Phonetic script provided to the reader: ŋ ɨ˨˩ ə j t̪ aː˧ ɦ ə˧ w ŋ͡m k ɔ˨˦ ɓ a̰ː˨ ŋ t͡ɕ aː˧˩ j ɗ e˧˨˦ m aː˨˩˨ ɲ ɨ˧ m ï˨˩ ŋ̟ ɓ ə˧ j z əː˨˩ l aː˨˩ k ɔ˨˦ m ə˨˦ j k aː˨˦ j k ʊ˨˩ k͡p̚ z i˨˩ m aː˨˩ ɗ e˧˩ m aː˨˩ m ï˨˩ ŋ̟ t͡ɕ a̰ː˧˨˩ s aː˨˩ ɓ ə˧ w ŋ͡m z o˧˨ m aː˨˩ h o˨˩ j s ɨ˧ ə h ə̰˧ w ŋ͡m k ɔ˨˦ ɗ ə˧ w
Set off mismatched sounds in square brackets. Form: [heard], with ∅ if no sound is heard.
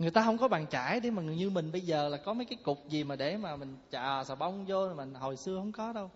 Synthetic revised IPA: ŋ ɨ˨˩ ə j t̪ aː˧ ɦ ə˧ w ŋ͡m k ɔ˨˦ ɓ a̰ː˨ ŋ t͡ɕ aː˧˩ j ɗ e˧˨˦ m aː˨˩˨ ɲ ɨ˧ m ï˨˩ ŋ̟ ɓ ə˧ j z əː˨˩ l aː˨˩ k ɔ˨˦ m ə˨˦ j k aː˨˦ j k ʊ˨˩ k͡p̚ z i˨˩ m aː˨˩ ɗ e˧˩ m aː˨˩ m ï˨˩ ŋ̟ t͡ɕ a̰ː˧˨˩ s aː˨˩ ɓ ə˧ w ŋ͡m z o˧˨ m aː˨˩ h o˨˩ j s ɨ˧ ə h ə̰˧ w ŋ͡m k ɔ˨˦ ɗ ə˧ w